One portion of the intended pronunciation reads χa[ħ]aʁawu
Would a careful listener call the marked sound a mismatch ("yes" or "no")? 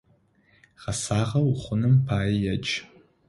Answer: yes